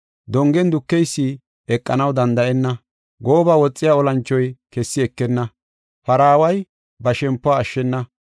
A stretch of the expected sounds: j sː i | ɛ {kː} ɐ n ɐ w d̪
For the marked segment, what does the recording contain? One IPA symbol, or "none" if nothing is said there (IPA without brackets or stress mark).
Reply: kʼː